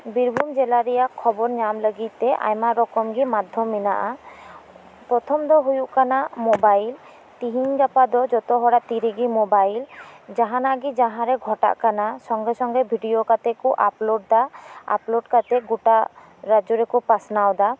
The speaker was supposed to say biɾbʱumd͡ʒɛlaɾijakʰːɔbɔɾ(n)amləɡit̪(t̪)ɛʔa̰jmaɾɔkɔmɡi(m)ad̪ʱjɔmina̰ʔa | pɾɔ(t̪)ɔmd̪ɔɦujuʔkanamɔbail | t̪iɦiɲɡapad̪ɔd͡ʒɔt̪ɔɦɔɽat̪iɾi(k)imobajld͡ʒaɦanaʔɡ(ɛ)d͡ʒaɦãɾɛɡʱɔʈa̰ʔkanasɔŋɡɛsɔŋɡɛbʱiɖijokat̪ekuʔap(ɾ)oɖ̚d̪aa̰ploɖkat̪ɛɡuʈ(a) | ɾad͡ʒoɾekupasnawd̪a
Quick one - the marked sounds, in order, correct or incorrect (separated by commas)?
incorrect, correct, correct, incorrect, incorrect, incorrect, incorrect, correct